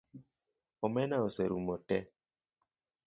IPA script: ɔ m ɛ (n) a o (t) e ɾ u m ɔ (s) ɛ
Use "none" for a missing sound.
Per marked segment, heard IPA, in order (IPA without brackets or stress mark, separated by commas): n, s, t